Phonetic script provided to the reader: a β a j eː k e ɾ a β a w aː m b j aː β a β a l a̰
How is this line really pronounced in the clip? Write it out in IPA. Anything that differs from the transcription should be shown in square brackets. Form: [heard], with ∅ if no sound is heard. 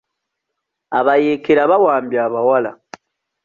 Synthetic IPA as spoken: a β a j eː k e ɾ a β a w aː m b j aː β a [w] a l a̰